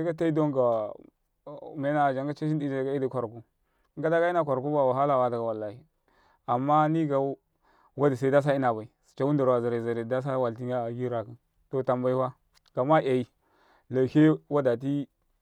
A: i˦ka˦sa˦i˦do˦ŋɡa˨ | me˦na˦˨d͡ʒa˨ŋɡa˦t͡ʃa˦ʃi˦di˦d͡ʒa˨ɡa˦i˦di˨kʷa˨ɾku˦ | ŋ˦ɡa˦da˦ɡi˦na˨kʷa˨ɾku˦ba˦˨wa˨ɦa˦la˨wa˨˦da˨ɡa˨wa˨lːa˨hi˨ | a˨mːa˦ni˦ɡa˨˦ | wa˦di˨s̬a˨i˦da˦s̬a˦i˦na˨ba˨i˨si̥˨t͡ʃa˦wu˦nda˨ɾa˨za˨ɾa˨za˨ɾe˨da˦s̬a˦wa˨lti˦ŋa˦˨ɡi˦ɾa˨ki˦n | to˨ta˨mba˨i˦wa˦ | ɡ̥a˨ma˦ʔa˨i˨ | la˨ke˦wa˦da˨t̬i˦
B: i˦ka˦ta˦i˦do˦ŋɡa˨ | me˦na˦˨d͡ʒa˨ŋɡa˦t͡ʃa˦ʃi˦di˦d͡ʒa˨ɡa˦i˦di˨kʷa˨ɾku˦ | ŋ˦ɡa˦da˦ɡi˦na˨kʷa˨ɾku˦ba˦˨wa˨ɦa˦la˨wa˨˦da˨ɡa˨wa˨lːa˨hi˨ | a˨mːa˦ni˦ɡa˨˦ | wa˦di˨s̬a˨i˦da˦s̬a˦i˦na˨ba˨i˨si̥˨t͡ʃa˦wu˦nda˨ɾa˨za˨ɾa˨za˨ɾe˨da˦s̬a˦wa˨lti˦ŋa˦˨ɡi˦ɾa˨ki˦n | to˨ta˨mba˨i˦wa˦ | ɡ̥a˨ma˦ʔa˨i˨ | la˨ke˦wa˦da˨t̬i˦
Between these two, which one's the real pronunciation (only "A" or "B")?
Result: B